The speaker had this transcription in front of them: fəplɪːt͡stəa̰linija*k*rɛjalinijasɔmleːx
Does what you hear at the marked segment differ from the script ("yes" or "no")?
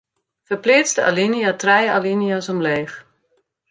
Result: yes